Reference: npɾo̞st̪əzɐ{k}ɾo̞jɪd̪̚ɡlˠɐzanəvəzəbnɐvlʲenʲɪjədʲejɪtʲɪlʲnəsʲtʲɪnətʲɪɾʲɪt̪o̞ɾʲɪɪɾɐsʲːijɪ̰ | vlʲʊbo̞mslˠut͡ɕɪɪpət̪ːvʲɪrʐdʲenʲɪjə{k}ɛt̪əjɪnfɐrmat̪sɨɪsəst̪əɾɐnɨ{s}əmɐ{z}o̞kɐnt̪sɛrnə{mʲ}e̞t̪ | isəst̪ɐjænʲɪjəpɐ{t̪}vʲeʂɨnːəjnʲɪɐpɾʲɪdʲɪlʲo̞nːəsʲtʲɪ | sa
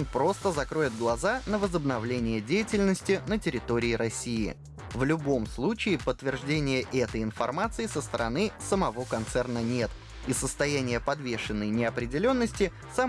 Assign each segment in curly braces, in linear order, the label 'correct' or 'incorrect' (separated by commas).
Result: correct, incorrect, correct, incorrect, incorrect, incorrect